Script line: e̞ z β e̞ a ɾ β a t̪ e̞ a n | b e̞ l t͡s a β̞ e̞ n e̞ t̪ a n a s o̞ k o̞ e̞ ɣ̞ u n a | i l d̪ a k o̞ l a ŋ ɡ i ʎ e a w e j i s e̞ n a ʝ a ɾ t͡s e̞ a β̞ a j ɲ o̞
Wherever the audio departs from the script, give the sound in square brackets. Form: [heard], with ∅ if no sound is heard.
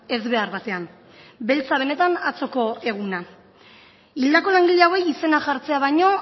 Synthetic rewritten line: e̞ z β e̞ a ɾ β a t̪ e̞ a n | b e̞ l t͡s a β̞ e̞ n e̞ t̪ a n a [t͡s] o̞ k o̞ e̞ ɣ̞ u n a | i l d̪ a k o̞ l a ŋ ɡ i ʎ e a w e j i s e̞ n a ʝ a ɾ t͡s e̞ a β̞ a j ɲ o̞

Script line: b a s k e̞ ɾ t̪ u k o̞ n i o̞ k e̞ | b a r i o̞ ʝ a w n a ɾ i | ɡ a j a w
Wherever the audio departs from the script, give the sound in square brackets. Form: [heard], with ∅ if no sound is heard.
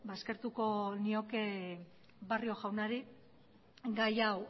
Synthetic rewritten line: b a s k e̞ ɾ t̪ u k o̞ n i o̞ k e̞ | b a r i o̞ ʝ a w n a ɾ i | ɡ a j a w

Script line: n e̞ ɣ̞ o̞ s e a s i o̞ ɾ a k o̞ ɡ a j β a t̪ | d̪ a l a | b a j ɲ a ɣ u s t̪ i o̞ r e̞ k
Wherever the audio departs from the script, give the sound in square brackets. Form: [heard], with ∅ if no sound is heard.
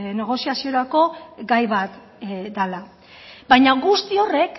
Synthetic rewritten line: n e̞ ɣ̞ o̞ s [i] a s i o̞ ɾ a k o̞ ɡ a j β a t̪ | d̪ a l a | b a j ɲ a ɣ u s t̪ i o̞ r e̞ k

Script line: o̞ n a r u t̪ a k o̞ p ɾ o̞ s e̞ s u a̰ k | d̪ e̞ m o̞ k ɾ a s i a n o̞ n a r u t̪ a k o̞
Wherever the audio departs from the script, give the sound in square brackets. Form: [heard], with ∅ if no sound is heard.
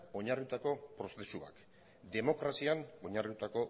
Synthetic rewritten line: o̞ [ɲ] a r u t̪ a k o̞ p ɾ o̞ s e̞ s u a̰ k | d̪ e̞ m o̞ k ɾ a s i a n o̞ [ɲ] a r u t̪ a k o̞

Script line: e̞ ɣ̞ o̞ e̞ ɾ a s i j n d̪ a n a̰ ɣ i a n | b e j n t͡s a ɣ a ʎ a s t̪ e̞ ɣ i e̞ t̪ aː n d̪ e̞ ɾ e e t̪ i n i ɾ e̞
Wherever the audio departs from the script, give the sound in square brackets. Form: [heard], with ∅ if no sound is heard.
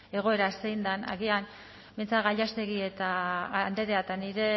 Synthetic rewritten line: e̞ ɣ̞ o̞ e̞ ɾ a s [e] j n d̪ a n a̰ ɣ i a n | b e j n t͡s a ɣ a ʎ a s t̪ e̞ ɣ i e̞ t̪ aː n d̪ e̞ ɾ e [a] t̪ [a] n i ɾ e̞

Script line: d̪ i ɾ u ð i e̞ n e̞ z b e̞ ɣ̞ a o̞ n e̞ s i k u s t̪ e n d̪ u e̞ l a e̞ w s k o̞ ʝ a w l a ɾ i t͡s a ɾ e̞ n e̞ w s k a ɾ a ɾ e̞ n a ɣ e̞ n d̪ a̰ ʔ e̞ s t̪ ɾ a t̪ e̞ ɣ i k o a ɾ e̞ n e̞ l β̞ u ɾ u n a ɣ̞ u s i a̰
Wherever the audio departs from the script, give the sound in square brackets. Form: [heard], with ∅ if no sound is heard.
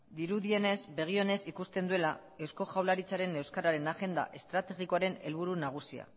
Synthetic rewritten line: d̪ i ɾ u ð i e̞ n e̞ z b e̞ ɣ̞ [i] o̞ n e̞ s i k u s t̪ e n d̪ u e̞ l a e̞ w s k o̞ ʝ a w l a ɾ i t͡s a ɾ e̞ n e̞ w s k a ɾ a ɾ e̞ n a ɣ e̞ n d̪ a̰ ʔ e̞ s t̪ ɾ a t̪ e̞ ɣ i k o a ɾ e̞ n e̞ l β̞ u ɾ u n a ɣ̞ u s i a̰

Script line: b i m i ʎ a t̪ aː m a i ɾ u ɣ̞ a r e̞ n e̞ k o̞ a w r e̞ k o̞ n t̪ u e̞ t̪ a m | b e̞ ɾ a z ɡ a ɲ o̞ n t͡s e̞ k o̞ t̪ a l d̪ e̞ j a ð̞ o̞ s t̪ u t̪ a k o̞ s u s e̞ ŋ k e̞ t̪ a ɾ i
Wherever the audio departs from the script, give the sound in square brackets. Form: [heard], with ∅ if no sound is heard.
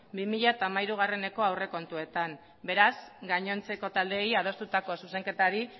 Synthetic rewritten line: b i m i ʎ a t̪ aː m a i ɾ u ɣ̞ a r e̞ n e̞ k o̞ a w r e̞ k o̞ n t̪ u e̞ t̪ a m | b e̞ ɾ a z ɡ a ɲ o̞ n t͡s e̞ k o̞ t̪ a l d̪ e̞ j a ð̞ o̞ s t̪ u t̪ a k o̞ s u s e̞ ŋ k e̞ t̪ a ɾ i

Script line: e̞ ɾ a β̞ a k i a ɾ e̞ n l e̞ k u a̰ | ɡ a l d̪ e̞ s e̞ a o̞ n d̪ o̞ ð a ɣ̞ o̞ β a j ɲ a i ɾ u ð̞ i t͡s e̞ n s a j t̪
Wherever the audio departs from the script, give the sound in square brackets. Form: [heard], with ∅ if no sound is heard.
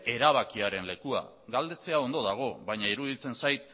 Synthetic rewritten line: e̞ ɾ a β̞ a k i a ɾ e̞ n l e̞ k u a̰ | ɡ a l d̪ e̞ [t͡s] e̞ a o̞ n d̪ o̞ ð a ɣ̞ o̞ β a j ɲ a i ɾ u ð̞ i t͡s e̞ n s a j t̪

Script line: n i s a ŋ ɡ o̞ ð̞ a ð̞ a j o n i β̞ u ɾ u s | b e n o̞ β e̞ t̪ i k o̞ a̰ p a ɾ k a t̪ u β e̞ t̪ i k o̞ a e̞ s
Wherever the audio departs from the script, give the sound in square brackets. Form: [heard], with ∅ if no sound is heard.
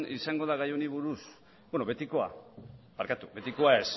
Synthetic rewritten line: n i s a ŋ ɡ o̞ ð̞ a [ɣ̞] a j o n i β̞ u ɾ u s | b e n o̞ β e̞ t̪ i k o̞ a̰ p a ɾ k a t̪ u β e̞ t̪ i k o̞ a e̞ s

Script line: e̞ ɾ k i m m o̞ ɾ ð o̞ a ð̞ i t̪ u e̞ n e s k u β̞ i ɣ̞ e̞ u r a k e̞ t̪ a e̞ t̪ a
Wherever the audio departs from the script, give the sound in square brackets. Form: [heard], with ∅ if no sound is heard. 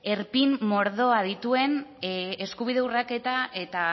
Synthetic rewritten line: e̞ ɾ [p] i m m o̞ ɾ ð o̞ a ð̞ i t̪ u e̞ n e s k u β̞ i [ð̞] e̞ u r a k e̞ t̪ a e̞ t̪ a

